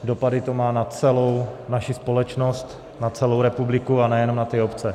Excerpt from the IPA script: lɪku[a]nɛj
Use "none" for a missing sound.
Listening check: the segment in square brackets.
a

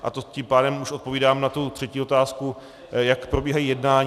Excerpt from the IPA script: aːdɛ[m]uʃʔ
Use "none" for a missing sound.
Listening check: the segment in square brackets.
m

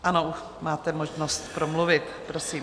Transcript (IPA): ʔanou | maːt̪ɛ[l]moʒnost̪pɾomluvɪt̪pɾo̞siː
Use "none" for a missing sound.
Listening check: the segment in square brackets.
none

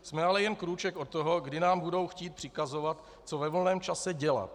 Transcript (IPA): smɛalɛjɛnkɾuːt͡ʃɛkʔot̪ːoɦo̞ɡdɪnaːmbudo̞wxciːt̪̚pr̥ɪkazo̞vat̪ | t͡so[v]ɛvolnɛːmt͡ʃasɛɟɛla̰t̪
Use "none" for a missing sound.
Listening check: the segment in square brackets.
v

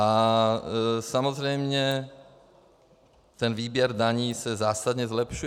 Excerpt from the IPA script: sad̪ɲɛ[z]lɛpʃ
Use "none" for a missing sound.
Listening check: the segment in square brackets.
z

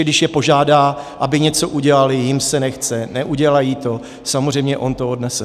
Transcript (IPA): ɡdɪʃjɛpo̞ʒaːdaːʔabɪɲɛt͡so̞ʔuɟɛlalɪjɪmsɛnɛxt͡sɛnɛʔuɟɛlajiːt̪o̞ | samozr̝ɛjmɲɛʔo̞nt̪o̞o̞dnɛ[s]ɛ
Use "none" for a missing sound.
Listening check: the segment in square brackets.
s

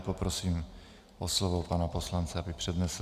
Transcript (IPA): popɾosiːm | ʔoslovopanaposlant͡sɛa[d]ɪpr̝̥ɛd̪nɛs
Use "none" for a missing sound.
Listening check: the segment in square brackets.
b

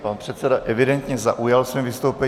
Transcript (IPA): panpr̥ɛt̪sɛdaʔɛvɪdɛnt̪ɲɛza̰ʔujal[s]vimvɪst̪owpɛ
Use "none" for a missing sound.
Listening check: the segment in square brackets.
s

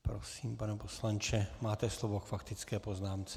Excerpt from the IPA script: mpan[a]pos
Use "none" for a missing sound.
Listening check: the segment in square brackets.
ɛ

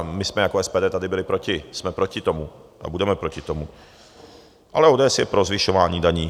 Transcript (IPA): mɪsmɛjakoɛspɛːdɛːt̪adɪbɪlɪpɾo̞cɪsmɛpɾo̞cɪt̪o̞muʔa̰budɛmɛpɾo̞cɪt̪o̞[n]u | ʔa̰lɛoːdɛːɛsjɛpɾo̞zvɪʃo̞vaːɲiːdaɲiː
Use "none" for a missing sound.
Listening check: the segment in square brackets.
m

